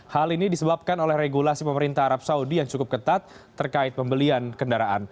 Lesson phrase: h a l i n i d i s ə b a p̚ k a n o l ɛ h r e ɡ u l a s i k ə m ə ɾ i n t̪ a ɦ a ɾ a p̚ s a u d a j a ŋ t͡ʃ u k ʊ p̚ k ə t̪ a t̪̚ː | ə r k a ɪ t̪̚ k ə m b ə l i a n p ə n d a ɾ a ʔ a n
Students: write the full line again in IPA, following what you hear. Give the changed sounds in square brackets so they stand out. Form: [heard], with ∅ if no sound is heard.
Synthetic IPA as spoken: h a l i n i d i s ə b a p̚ k a n o l ɛ h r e ɡ u l a s i [p] ə m ə ɾ i n t̪ a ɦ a ɾ a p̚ s a u d [i] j a ŋ t͡ʃ u k ʊ p̚ k ə t̪ a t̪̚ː | ə r k a ɪ t̪̚ [p] ə m b ə l i a n [k] ə n d a ɾ a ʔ a n